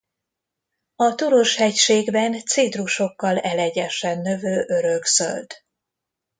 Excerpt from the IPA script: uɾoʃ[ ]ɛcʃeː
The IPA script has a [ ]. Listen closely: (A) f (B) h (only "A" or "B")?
B